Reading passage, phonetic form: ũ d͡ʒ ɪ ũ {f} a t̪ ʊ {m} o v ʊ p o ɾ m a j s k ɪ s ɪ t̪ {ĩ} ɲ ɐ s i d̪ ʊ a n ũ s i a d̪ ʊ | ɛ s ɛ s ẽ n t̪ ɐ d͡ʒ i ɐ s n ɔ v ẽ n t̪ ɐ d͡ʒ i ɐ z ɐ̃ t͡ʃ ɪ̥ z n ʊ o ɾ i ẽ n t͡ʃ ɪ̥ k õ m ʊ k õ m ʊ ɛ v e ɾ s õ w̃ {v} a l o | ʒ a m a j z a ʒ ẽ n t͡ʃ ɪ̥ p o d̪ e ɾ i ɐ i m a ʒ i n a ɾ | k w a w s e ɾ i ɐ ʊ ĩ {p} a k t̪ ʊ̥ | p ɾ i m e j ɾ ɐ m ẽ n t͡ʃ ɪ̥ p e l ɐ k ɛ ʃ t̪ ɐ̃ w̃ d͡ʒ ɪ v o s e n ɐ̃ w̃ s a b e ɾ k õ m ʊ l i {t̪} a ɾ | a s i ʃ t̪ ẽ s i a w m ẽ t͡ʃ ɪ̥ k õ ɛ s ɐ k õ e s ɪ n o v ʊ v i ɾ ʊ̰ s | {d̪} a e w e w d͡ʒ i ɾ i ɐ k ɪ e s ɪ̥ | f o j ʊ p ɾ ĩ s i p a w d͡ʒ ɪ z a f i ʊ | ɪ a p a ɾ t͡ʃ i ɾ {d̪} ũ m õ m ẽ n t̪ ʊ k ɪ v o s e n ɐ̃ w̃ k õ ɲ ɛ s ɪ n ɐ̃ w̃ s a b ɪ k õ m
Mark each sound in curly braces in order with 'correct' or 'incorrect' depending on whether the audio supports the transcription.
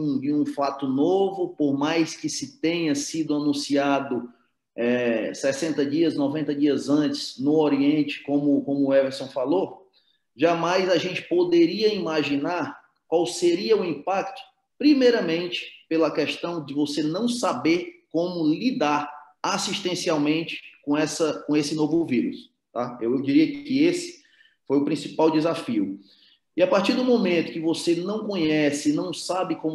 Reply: correct, incorrect: n, incorrect: ẽ, incorrect: f, correct, incorrect: d̪, incorrect: t̪, correct

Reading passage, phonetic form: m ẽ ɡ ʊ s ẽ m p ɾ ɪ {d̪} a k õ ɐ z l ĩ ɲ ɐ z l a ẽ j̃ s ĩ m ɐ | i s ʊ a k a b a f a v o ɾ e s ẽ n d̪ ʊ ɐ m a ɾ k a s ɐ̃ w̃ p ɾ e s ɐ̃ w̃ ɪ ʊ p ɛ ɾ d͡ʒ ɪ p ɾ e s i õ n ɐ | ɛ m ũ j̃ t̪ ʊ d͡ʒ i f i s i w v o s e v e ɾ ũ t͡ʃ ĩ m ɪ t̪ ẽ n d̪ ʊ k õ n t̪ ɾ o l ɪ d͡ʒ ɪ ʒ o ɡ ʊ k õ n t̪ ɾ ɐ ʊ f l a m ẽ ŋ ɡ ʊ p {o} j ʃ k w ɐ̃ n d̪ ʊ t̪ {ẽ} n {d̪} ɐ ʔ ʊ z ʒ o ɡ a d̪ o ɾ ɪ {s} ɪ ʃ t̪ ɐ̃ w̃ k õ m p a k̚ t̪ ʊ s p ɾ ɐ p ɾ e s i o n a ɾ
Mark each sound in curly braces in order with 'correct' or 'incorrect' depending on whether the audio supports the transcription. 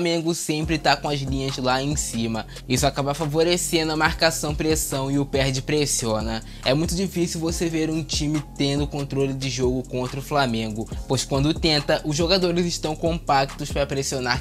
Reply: incorrect: t̪, correct, correct, incorrect: t̪, incorrect: z

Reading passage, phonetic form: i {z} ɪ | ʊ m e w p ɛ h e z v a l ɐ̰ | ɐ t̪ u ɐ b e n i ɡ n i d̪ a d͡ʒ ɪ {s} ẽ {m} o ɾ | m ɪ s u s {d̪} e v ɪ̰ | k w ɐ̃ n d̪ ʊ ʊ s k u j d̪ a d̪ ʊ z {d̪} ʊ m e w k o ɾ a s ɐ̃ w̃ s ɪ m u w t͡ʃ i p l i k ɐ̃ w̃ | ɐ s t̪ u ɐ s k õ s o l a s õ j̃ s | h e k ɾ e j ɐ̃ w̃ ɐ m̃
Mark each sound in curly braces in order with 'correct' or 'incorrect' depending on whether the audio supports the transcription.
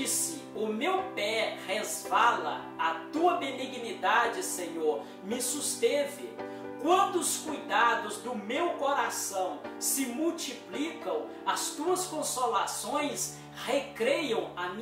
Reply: incorrect: s, correct, incorrect: ɲ, incorrect: t̪, correct

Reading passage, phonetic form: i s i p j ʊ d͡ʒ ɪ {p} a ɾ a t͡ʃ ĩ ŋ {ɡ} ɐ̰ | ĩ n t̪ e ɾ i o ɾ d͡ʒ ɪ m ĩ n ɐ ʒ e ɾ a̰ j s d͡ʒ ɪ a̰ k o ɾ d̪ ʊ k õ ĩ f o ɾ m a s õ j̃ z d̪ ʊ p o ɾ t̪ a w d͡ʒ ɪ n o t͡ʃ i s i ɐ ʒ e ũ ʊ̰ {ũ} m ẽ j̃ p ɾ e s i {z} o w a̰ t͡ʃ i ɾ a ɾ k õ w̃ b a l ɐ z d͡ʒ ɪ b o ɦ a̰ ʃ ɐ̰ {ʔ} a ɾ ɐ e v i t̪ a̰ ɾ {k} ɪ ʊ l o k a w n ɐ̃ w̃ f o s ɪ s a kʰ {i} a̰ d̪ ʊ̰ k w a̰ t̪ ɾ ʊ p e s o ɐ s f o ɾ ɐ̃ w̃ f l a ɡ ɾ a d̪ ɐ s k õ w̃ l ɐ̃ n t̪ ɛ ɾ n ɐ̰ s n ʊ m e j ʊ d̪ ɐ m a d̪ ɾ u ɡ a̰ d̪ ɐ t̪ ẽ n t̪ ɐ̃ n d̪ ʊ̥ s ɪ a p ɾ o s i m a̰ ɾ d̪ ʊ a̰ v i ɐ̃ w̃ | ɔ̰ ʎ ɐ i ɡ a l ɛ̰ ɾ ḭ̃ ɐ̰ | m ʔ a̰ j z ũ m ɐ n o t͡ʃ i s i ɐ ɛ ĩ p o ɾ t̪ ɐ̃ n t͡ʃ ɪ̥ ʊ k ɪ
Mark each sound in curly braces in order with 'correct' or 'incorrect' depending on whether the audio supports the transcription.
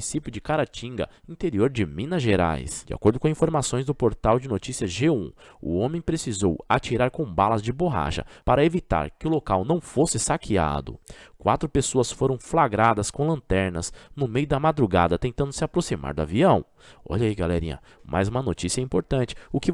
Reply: incorrect: k, correct, incorrect: õ, correct, incorrect: p, correct, correct

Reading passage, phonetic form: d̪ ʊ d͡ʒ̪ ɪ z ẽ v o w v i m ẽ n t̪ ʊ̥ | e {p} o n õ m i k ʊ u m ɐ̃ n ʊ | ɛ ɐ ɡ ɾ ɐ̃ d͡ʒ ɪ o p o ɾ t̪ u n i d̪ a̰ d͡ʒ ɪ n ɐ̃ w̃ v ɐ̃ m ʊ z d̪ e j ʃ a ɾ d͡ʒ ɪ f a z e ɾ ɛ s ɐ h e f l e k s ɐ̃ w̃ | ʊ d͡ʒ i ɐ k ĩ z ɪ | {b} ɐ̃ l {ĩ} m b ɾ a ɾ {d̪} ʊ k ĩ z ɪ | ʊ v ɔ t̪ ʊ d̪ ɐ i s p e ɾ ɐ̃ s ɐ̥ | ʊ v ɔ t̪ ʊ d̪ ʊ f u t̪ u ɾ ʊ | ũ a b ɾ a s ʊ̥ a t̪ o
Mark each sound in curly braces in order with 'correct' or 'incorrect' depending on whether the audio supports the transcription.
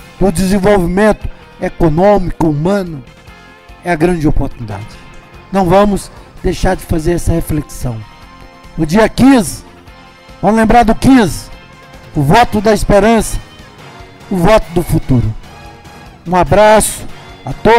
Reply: incorrect: k, incorrect: v, incorrect: ẽ, correct

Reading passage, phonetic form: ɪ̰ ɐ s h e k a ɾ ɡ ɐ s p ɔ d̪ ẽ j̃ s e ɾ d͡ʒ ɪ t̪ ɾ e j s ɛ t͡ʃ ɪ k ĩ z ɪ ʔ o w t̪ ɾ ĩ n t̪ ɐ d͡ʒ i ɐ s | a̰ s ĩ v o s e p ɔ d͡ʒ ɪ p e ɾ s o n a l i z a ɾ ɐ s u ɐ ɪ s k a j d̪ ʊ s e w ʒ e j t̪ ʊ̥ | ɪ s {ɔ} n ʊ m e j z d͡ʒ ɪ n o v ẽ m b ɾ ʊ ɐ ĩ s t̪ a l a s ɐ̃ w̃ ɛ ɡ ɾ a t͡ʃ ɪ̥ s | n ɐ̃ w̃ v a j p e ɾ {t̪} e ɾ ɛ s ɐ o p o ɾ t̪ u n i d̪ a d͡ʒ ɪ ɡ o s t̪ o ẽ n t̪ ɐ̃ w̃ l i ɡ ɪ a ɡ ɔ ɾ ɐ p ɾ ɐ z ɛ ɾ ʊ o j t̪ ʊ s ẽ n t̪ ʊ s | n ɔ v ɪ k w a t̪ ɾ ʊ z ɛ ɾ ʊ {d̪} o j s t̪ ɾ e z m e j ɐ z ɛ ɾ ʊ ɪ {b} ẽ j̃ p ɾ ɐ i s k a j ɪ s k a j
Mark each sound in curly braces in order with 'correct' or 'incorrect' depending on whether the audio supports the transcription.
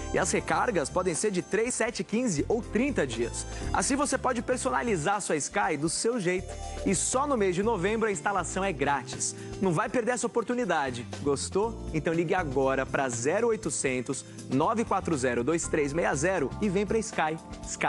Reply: correct, incorrect: d̪, correct, incorrect: v

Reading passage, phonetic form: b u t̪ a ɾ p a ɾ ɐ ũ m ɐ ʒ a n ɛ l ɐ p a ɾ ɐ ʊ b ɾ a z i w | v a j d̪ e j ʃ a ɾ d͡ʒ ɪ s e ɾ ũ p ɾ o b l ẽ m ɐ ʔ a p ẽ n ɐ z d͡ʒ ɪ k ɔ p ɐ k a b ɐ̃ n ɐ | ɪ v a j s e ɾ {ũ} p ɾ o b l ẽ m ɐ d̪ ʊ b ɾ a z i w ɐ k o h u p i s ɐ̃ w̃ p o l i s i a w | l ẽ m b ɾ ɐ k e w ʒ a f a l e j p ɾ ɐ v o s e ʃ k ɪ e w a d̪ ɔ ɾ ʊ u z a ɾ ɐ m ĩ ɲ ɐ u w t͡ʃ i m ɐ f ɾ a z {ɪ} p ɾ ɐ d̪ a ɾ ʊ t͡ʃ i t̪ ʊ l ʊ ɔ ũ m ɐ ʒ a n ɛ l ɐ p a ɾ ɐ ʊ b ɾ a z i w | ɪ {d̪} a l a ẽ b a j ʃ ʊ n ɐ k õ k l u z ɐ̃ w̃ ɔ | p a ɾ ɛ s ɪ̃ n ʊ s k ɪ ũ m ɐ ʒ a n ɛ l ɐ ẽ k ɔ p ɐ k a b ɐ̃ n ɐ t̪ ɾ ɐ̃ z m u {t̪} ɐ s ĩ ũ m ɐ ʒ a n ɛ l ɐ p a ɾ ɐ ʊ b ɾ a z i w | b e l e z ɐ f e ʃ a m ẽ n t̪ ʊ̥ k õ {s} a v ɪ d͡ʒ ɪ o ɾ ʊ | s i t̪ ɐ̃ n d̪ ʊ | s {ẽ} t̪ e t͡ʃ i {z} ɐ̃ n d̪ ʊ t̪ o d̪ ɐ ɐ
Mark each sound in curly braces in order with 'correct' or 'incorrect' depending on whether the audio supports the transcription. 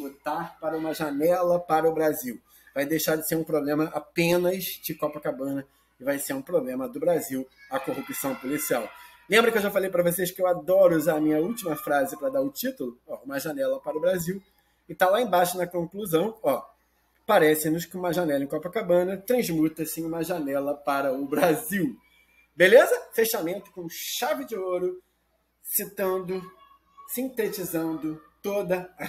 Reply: correct, correct, incorrect: t̪, correct, incorrect: ʃ, incorrect: ĩ, correct

